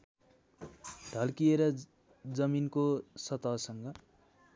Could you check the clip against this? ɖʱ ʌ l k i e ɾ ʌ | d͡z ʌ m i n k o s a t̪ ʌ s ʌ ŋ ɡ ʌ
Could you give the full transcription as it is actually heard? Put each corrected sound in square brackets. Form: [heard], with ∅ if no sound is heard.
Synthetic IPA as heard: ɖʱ ʌ l k i e ɾ ʌ | d͡z ʌ m i n k o s [ʌ] t̪ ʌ s ʌ ŋ ɡ ʌ

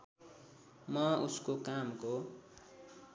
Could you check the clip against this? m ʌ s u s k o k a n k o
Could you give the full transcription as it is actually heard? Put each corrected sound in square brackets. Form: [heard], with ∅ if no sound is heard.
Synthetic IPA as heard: m ʌ [∅] u s k o k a [m] k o

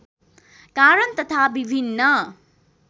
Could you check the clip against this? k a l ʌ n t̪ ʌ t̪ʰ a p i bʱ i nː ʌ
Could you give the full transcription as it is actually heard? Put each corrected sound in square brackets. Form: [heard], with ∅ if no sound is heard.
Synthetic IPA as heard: k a [ɾ] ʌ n t̪ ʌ t̪ʰ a [b] i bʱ i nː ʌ

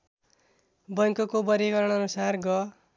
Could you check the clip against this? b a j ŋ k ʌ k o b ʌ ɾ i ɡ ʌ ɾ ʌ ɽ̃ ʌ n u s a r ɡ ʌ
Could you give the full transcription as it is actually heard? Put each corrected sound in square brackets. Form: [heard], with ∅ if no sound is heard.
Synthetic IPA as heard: b [ʌ] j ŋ k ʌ k o b ʌ ɾ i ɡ ʌ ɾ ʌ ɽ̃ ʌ n u s a r ɡ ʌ

